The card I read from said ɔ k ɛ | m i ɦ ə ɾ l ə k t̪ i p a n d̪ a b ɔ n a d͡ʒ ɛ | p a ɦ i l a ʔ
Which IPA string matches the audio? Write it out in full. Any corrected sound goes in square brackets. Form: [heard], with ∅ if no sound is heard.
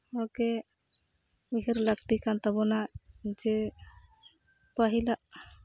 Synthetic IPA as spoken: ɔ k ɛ | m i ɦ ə ɾ l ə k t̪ i [k] a n [t̪] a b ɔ n a d͡ʒ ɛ | p a ɦ i l a ʔ